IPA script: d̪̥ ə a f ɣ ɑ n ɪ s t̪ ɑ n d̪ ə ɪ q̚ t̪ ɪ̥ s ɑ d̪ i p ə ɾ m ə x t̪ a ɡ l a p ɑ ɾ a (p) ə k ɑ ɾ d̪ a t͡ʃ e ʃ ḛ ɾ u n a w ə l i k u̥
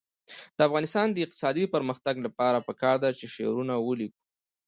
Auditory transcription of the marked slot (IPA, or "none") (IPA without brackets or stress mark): p